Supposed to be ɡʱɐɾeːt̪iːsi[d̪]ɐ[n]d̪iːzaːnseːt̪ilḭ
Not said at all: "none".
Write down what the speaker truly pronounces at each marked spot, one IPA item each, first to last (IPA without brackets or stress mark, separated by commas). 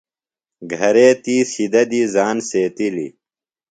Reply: d̪, none